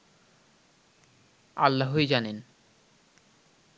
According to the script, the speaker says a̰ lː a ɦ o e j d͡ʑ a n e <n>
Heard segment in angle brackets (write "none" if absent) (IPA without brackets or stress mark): n